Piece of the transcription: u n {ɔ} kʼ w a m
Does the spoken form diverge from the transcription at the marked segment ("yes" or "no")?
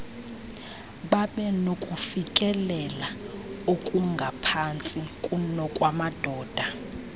no